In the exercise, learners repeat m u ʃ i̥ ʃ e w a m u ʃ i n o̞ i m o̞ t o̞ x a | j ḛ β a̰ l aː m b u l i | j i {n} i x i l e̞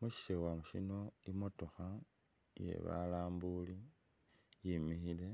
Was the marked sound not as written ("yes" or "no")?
yes